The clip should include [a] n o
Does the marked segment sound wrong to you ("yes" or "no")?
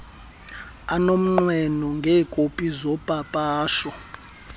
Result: no